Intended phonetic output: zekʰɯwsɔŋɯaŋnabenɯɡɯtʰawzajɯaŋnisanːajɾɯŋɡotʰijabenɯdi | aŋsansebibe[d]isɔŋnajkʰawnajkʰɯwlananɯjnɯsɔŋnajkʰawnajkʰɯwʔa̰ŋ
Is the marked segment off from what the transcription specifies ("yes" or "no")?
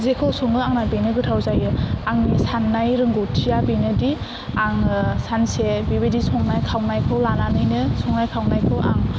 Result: no